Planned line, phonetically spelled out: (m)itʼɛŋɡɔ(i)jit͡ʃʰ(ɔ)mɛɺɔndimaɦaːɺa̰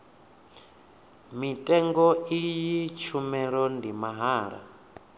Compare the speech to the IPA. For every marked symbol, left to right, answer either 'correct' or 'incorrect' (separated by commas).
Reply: correct, correct, incorrect